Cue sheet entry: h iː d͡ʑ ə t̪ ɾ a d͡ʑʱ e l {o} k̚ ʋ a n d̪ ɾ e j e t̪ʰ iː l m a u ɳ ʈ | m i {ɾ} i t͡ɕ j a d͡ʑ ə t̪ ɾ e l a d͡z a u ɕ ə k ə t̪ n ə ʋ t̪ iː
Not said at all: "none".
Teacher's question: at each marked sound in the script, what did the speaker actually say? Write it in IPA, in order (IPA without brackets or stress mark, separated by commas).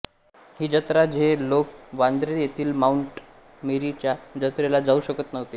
o, ɾ